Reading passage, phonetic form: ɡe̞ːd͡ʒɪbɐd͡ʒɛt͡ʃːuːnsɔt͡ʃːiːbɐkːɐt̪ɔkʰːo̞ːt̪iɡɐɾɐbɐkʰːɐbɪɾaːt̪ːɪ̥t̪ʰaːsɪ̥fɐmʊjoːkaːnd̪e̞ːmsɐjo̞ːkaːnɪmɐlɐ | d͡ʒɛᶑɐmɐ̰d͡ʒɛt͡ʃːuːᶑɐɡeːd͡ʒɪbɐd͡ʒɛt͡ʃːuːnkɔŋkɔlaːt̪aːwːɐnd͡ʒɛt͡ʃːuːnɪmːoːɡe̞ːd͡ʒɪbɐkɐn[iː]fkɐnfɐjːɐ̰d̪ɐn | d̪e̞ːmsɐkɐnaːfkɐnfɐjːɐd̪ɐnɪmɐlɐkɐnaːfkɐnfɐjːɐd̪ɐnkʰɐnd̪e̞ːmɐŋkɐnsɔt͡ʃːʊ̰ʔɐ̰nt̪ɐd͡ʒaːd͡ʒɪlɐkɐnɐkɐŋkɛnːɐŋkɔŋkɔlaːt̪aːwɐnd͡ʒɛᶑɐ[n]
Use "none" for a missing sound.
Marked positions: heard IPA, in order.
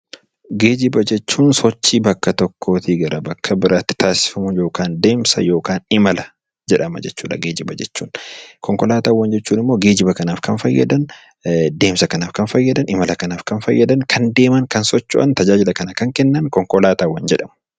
aː, m

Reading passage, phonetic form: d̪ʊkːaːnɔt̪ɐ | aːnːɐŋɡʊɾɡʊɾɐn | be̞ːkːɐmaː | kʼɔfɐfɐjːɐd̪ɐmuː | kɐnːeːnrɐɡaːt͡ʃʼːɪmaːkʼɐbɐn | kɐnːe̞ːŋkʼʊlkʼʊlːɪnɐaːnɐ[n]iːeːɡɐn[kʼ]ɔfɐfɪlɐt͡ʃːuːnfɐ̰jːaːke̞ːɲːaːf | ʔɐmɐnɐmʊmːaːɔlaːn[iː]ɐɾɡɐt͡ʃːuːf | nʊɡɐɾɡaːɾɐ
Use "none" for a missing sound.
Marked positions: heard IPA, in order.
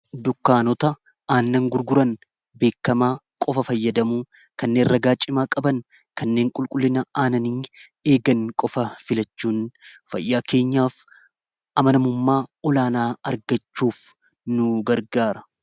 n, kʼ, aː

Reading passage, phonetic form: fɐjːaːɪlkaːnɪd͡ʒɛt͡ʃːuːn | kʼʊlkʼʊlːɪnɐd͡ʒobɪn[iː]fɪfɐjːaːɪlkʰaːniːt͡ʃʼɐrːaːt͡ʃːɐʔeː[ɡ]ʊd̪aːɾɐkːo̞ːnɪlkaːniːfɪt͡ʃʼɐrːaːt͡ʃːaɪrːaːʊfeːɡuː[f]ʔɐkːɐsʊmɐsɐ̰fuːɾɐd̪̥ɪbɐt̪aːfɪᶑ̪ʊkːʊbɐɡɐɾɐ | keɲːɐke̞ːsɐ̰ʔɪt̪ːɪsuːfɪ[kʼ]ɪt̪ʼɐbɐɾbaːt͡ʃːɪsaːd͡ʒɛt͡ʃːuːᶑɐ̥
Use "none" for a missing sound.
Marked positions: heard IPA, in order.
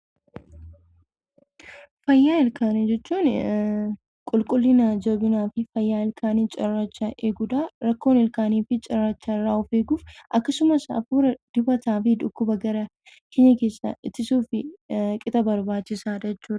aː, ɡ, f, kʼ

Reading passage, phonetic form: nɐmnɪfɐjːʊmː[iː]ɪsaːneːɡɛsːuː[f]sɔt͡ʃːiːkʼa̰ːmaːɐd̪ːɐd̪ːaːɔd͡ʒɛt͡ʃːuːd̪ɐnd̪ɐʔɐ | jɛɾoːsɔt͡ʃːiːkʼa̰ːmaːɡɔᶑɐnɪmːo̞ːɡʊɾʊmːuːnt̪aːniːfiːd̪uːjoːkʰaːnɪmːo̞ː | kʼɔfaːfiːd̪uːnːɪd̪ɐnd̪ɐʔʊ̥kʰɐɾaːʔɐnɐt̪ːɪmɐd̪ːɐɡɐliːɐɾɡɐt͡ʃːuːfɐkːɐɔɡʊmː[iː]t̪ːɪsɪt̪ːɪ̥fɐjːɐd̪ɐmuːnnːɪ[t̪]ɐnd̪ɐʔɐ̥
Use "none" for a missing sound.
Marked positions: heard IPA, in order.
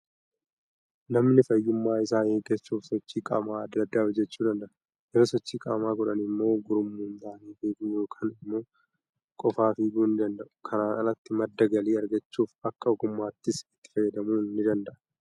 aː, f, aː, d̪

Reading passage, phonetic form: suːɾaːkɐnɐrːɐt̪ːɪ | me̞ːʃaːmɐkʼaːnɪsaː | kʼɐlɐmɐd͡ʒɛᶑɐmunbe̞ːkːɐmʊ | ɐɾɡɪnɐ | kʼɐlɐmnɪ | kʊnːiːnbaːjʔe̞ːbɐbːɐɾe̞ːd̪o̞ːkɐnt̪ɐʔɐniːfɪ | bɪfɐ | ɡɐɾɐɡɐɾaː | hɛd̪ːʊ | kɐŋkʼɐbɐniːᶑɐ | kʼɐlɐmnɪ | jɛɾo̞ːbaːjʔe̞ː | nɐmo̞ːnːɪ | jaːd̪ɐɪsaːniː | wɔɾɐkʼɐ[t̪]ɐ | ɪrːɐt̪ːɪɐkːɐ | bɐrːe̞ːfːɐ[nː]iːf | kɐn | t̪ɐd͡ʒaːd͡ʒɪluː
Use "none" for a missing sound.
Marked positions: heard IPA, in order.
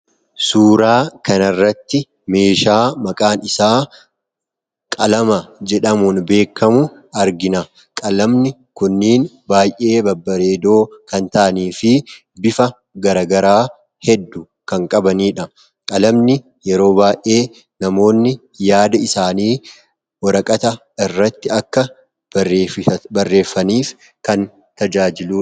t̪, n

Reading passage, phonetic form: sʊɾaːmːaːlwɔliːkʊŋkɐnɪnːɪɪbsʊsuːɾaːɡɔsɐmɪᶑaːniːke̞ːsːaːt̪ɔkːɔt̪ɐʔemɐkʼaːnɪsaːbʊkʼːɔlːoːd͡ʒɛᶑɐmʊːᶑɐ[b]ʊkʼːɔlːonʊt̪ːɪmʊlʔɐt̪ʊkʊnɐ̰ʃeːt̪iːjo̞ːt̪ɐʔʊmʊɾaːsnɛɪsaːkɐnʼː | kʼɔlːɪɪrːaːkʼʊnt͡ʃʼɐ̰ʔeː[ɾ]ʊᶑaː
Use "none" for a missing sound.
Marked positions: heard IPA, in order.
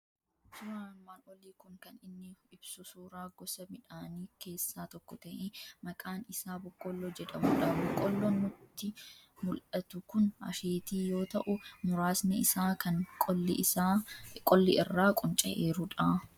b, ɾ

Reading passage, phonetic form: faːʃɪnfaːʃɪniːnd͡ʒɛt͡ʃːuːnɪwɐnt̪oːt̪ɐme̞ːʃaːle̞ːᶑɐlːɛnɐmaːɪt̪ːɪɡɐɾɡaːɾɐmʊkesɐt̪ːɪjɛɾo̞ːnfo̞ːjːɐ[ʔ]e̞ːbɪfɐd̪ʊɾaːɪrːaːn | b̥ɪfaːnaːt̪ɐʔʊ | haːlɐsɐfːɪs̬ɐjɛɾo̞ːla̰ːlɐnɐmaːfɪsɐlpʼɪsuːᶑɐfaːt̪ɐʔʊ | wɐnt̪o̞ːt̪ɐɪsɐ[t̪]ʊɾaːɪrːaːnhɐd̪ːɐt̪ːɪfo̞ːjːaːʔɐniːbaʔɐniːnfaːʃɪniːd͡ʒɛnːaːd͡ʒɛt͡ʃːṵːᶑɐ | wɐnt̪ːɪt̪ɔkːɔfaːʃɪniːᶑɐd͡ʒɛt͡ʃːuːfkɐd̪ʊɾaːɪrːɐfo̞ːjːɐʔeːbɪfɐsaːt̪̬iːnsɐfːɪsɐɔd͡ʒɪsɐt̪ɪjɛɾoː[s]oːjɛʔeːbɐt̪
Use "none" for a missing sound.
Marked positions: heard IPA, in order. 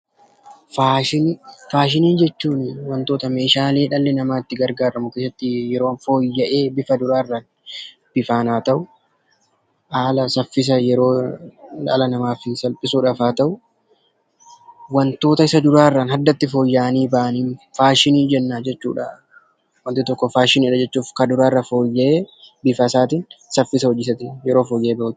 ʔ, d̪, f

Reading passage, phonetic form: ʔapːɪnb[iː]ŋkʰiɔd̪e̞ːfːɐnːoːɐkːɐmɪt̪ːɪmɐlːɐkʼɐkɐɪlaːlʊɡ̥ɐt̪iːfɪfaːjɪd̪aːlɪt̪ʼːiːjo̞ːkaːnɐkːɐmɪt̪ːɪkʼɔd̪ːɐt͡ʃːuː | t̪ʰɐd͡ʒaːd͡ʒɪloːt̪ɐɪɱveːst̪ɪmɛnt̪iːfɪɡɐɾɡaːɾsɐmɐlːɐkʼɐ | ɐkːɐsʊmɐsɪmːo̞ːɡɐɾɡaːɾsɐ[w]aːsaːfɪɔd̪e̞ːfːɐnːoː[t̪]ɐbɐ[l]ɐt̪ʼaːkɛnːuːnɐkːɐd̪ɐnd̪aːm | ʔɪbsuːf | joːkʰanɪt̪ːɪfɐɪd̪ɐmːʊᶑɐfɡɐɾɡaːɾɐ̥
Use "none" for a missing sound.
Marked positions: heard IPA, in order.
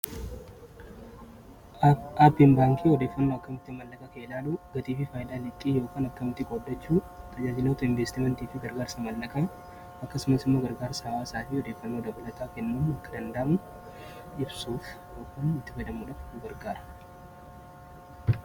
aː, w, d̪, l

